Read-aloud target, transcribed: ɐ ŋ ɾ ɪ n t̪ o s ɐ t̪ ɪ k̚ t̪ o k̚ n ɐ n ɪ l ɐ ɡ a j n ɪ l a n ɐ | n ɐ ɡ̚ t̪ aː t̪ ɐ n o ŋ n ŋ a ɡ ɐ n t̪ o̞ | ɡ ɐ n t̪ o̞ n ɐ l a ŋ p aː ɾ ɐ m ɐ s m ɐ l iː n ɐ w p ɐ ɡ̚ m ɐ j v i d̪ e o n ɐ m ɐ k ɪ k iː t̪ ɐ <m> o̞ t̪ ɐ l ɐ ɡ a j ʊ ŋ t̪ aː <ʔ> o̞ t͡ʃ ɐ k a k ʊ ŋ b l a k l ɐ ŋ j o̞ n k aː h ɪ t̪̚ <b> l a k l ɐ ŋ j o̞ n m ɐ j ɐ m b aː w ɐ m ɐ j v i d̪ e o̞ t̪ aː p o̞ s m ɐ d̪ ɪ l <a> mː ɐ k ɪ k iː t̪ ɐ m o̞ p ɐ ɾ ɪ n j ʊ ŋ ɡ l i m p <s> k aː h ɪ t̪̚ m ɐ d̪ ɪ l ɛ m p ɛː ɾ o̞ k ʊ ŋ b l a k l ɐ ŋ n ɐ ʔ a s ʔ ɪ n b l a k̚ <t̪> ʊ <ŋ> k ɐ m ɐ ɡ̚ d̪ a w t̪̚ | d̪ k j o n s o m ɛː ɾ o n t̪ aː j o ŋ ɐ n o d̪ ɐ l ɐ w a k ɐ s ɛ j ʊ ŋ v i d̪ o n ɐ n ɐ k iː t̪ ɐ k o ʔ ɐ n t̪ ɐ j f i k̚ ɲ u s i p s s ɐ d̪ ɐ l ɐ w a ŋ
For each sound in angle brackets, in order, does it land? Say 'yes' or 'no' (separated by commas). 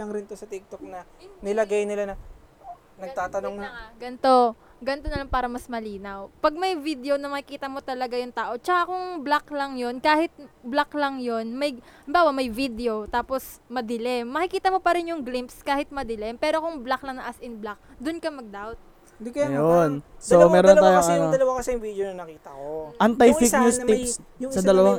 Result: yes, yes, yes, no, yes, no, no